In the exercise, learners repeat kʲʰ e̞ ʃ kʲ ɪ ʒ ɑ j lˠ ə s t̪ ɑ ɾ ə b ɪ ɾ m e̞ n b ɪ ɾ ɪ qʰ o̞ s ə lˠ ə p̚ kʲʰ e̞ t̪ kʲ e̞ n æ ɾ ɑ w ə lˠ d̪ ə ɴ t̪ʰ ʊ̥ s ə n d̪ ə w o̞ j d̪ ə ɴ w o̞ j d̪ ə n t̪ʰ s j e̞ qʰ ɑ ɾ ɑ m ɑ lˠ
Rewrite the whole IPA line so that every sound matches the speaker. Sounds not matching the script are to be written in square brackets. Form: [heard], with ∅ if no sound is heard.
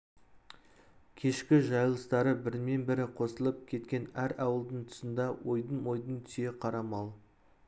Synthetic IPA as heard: kʲʰ e̞ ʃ kʲ ɪ ʒ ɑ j lˠ ə s t̪ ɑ ɾ ə b ɪ ɾ m e̞ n b ɪ ɾ ɪ qʰ o̞ s ə lˠ ə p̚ kʲʰ e̞ t̪ kʲ e̞ n æ ɾ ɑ w ə lˠ d̪ ə ɴ t̪ʰ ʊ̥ s ə n d̪ [ɑ] w o̞ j d̪ ə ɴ w o̞ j d̪ ə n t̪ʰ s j e̞ qʰ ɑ ɾ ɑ m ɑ lˠ